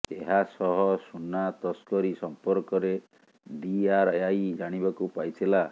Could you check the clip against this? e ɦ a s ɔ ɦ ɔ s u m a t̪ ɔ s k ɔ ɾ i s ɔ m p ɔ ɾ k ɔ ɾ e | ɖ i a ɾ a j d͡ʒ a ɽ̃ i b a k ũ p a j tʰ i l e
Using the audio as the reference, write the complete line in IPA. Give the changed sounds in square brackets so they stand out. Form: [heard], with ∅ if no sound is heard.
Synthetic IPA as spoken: e ɦ a s ɔ ɦ ɔ s u [n] a t̪ ɔ s k ɔ ɾ i s ɔ m p ɔ ɾ k ɔ ɾ e | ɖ i a ɾ a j d͡ʒ a ɽ̃ i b a k [u] p a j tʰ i l [a]